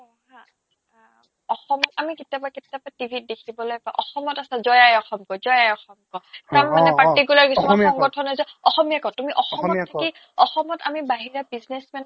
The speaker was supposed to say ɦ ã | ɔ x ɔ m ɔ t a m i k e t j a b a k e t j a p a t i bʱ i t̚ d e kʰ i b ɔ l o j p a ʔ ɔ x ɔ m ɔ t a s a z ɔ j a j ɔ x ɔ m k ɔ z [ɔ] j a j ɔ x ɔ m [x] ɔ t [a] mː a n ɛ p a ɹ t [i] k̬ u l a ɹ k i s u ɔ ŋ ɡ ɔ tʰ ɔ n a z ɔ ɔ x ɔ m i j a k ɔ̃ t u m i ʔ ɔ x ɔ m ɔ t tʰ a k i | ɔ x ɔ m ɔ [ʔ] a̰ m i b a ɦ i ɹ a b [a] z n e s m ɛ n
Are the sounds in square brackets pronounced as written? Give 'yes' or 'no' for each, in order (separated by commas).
yes, no, yes, yes, no, no